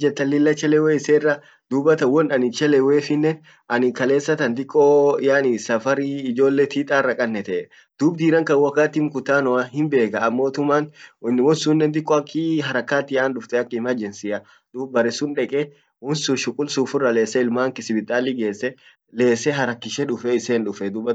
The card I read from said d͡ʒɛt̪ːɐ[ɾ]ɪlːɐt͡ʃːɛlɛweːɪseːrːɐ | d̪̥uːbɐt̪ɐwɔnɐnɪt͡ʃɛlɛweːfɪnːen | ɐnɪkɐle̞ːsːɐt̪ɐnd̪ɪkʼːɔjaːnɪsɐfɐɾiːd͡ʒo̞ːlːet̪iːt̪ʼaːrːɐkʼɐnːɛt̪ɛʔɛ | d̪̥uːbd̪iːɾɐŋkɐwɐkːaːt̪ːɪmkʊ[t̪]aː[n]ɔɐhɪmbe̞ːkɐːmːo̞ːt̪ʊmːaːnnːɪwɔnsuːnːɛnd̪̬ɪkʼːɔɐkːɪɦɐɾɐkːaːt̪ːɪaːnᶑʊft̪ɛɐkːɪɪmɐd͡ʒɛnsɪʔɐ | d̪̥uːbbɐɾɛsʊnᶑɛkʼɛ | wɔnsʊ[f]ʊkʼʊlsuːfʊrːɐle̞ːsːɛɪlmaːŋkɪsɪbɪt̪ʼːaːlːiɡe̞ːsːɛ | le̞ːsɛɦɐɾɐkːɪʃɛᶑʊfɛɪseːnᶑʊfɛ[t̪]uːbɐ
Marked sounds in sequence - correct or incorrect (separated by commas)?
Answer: incorrect, correct, correct, incorrect, incorrect